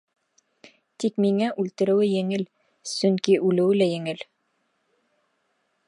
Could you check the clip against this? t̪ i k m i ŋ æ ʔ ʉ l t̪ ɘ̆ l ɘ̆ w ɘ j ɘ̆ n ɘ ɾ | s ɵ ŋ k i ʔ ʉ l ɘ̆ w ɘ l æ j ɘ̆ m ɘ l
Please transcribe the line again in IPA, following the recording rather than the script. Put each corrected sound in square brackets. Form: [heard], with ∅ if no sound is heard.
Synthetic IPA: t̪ i k m i ŋ æ ʔ ʉ l t̪ ɘ̆ [ɾ] ɘ̆ w ɘ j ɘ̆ [ŋ] ɘ [l] | s ɵ ŋ k i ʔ ʉ l ɘ̆ w ɘ l æ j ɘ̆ [ŋ] ɘ l